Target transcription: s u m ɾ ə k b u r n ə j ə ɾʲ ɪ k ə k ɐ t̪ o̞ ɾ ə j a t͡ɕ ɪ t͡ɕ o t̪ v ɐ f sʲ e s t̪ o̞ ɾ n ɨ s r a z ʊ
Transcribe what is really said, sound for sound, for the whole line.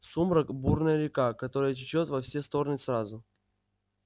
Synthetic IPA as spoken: s u m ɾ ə k b u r n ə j ə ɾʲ ɪ k a k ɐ t̪ o̞ ɾ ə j ə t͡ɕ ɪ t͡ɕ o t̪ v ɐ f sʲ e s t̪ o̞ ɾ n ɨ s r a z ʊ